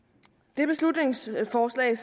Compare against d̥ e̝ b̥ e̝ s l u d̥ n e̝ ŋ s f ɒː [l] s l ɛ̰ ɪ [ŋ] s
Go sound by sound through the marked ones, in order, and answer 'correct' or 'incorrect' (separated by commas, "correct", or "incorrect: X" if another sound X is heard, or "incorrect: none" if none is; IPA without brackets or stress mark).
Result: incorrect: none, incorrect: none